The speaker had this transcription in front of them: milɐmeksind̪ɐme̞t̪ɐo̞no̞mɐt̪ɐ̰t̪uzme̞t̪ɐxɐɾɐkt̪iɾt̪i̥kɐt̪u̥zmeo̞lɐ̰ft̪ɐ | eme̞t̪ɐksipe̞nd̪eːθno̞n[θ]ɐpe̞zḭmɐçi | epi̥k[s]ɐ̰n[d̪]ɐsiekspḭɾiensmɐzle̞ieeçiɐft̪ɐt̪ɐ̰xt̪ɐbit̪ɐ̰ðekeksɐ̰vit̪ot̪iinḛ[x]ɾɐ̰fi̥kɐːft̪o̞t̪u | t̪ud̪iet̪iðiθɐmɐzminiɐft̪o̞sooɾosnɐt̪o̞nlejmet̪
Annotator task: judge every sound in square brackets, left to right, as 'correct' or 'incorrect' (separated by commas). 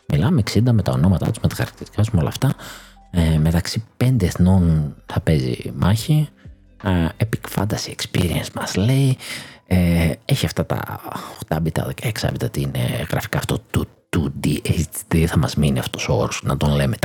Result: correct, incorrect, correct, incorrect